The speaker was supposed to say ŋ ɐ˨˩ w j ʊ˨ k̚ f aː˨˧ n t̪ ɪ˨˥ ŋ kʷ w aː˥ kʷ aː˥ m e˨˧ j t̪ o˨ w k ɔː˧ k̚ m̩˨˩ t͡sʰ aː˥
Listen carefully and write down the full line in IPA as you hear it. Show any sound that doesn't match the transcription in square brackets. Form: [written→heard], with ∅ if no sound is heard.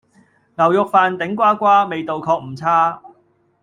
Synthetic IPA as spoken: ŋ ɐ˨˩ w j ʊ˨ k̚ f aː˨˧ n t̪ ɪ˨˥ ŋ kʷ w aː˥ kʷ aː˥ m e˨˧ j t̪ o˨ w [k→kʰ] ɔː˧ k̚ m̩˨˩ t͡sʰ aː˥